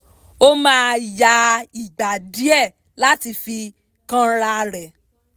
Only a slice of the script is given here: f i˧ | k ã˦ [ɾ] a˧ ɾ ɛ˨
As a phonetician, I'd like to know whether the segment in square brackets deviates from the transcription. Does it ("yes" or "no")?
no